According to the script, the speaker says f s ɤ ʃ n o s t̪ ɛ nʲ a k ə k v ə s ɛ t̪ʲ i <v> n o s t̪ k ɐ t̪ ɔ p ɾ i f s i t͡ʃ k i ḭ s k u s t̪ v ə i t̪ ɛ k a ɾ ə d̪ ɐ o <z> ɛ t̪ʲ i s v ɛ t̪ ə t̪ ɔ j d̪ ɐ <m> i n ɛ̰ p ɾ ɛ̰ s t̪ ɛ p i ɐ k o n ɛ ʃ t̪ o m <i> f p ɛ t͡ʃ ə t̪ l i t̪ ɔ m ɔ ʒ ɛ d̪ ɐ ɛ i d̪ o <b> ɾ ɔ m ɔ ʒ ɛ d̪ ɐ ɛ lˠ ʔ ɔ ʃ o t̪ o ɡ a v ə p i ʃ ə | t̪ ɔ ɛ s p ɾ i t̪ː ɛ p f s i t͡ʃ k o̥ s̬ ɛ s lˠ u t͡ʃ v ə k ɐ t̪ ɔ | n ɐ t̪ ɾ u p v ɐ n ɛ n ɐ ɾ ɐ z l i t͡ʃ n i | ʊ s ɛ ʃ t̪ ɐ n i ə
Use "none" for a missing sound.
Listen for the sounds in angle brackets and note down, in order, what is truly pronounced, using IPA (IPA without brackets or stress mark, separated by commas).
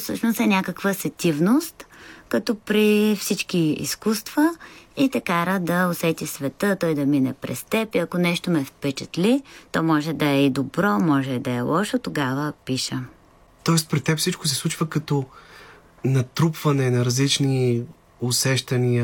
v, s, m, ɛ, b